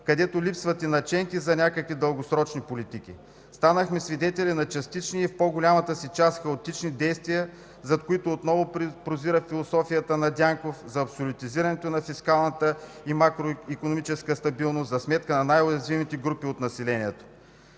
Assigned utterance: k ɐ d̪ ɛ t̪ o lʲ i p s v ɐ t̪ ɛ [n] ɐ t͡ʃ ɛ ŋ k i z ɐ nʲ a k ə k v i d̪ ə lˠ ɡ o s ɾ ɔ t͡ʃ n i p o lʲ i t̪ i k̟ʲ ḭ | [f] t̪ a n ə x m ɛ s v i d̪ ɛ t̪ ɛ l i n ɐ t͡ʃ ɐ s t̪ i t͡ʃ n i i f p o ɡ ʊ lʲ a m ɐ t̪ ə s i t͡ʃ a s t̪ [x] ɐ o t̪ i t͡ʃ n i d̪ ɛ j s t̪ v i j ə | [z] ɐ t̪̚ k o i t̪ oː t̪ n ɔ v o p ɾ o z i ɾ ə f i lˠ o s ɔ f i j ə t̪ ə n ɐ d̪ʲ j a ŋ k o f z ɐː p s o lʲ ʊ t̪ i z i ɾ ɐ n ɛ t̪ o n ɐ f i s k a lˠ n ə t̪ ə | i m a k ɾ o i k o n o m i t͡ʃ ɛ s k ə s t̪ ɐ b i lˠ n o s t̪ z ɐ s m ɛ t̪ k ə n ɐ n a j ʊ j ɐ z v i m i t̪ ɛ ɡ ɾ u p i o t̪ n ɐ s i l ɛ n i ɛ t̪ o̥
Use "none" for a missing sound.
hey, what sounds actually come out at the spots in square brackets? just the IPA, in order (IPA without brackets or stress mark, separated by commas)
n, s, x, z